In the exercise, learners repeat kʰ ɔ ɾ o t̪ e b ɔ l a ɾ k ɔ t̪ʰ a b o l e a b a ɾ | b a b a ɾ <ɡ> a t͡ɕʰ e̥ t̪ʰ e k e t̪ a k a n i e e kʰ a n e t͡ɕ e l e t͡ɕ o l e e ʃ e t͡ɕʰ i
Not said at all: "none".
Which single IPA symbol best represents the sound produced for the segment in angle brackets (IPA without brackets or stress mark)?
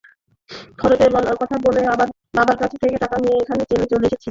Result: k